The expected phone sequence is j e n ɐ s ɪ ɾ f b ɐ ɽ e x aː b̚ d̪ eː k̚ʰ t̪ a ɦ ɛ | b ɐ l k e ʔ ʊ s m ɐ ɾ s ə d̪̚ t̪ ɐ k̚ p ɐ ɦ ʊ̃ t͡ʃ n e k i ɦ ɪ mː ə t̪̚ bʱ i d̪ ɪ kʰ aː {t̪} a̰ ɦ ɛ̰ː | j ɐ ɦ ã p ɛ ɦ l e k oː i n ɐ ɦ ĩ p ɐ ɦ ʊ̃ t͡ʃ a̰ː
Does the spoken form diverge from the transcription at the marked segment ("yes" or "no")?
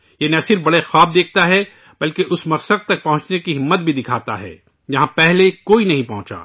no